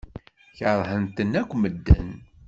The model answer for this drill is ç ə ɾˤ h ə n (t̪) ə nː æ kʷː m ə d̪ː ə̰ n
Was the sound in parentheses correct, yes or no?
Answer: yes